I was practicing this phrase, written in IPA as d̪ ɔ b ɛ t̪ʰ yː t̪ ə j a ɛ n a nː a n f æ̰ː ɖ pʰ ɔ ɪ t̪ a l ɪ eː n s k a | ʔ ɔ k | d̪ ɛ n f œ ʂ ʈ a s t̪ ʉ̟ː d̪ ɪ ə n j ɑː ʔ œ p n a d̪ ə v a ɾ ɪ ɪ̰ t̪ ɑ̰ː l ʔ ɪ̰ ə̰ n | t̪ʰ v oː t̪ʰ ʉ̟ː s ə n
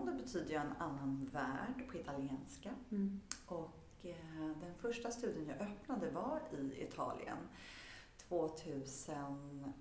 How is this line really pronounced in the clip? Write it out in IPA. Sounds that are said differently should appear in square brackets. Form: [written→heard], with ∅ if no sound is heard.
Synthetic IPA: d̪ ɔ b ɛ t̪ʰ yː [t̪→d̪] ə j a ɛ n a nː a n [f→v] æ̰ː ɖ pʰ ɔ ɪ t̪ a l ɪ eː n s k a | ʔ ɔ k | d̪ ɛ n f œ ʂ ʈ a s t̪ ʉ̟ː d̪ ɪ ə n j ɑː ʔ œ p n a d̪ ə v a ɾ ɪ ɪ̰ [t̪→t̪ʰ] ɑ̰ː l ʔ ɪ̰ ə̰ n | t̪ʰ v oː t̪ʰ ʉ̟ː s ə n